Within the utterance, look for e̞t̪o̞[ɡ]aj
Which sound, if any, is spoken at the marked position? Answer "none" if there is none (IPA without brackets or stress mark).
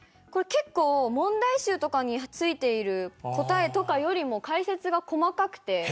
k